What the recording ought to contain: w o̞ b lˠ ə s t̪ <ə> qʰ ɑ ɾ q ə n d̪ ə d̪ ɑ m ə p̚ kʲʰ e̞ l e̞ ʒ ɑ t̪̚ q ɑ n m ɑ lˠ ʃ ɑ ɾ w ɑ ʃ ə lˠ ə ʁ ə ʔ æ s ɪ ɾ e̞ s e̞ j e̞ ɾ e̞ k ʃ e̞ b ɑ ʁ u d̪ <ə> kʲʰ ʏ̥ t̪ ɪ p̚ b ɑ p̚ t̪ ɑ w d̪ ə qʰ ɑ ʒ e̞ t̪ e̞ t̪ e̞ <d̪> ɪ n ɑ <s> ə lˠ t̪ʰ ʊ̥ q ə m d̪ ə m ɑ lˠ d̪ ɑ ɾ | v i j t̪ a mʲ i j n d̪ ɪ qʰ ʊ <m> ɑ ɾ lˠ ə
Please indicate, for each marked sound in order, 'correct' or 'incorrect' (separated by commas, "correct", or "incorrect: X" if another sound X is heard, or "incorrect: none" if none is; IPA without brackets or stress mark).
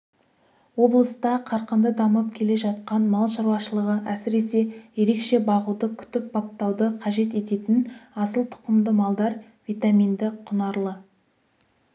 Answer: incorrect: ɑ, correct, incorrect: t̪, correct, incorrect: n